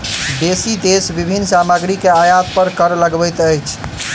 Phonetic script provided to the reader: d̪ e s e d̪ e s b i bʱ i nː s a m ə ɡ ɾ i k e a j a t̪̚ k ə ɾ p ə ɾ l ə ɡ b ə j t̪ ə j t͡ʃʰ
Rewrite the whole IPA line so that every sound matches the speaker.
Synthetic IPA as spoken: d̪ e s i d̪ e s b i bʱ i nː s a m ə ɡ ɾ i k e a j a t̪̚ p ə ɾ k ə ɾ l ə ɡ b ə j t̪ ə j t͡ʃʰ

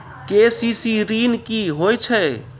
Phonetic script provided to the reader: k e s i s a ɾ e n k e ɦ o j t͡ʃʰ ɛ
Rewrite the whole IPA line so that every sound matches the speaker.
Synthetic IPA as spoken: k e s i s i ɾ i n k i ɦ o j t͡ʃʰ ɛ

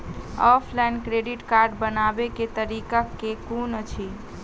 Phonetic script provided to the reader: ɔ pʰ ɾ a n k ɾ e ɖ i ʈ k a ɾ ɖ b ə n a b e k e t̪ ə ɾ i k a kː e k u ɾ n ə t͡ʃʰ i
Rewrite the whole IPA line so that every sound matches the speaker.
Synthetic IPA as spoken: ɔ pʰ l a n k ɾ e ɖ i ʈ k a ɾ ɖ b ə n a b e k e t̪ ə ɾ i k a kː e k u n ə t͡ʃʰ i

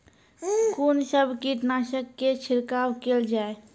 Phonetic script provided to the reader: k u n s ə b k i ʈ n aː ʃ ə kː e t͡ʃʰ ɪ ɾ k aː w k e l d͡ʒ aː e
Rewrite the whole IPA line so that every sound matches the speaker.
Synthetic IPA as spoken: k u n s ə b k i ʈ n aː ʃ ə kː e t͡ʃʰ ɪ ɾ k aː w k e l d͡ʒ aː e

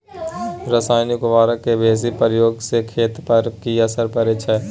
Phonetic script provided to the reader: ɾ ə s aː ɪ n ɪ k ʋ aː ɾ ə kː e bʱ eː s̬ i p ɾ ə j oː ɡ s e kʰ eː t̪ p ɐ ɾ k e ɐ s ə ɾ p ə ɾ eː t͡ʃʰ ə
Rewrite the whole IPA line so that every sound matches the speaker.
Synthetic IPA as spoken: ɾ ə s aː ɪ n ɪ k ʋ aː ɾ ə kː e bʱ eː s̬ i p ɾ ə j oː ɡ s e kʰ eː t̪ p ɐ ɾ k i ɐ s ə ɾ p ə ɾ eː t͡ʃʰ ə

